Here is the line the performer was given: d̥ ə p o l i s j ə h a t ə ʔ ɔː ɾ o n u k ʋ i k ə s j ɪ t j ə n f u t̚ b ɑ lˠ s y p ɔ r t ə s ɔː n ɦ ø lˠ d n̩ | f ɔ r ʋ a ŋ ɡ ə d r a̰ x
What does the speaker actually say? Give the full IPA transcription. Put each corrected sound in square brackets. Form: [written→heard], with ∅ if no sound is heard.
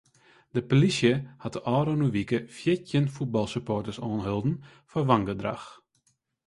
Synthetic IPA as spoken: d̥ ə p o l i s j ə h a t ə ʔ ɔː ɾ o n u [k→∅] ʋ i k ə [s→f] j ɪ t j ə n f u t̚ b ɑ lˠ s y p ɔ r t ə s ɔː n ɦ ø lˠ d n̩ | f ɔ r ʋ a ŋ ɡ ə d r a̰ x